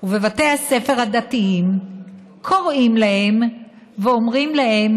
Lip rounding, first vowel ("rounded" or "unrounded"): rounded